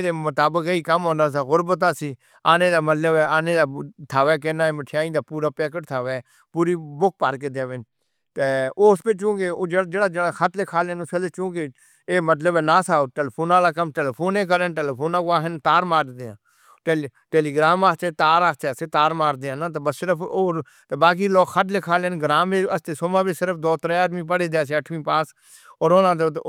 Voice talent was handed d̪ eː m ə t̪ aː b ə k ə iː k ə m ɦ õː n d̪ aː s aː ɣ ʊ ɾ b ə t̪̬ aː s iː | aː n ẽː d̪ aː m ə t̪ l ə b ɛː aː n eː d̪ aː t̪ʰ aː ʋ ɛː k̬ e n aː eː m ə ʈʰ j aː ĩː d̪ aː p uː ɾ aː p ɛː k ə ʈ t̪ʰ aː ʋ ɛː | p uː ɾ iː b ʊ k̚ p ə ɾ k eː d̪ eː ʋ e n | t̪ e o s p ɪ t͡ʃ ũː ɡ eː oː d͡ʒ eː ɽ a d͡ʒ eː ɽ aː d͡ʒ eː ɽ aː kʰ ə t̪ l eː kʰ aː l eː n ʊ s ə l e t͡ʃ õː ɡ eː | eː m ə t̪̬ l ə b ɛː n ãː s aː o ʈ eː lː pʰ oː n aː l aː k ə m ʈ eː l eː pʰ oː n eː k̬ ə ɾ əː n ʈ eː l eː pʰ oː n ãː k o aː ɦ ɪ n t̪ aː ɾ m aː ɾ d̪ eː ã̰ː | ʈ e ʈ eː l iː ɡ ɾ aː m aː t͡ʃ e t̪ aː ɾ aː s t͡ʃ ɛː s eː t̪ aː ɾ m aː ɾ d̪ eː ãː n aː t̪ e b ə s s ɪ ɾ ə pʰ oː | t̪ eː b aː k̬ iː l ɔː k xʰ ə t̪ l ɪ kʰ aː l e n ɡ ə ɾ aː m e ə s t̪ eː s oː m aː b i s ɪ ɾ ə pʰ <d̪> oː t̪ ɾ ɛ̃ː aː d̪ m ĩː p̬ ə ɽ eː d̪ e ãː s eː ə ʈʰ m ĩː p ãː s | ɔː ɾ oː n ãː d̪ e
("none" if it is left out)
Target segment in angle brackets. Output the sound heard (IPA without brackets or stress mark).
d̪